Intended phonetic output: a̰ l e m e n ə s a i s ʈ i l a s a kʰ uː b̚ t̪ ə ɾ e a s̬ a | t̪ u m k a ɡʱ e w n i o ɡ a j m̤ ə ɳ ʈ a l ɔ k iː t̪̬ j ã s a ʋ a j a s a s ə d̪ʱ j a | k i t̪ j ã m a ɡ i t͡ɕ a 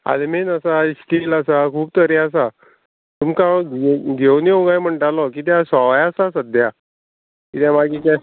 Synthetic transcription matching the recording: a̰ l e m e n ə s a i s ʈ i l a s a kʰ uː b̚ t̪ ə ɾ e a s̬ a | t̪ u m k a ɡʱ e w n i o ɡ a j m̤ ə ɳ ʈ a l ɔ k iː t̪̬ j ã s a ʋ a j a s a s ə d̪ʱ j a | k i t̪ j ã m a ɡ i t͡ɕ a